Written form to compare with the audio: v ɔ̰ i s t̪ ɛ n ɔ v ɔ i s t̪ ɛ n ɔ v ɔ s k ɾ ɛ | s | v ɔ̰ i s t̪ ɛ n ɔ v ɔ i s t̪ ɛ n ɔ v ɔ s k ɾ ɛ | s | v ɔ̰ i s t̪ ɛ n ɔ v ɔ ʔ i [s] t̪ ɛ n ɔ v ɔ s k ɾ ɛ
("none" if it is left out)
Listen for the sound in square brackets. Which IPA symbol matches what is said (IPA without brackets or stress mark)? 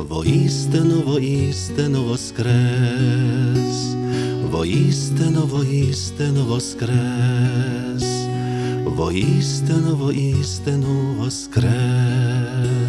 s